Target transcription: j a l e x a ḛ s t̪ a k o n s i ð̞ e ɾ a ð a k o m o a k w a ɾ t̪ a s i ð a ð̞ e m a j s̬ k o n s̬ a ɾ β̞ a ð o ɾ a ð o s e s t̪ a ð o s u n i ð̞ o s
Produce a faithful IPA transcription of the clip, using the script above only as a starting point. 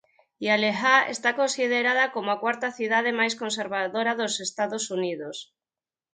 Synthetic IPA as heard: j a l e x a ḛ s t̪ a k o n s i ð̞ e ɾ a ð a k o m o a k w a ɾ t̪ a θ i ð a ð̞ e m a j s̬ k o n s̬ e ɾ β̞ a ð o ɾ a ð o s e s t̪ a ð o s u n i ð̞ o s

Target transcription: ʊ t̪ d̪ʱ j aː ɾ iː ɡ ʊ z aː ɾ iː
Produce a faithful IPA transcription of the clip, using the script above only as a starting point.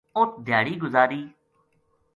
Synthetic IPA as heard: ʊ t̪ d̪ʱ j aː ɽ iː ɡ ʊ z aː ɾ iː

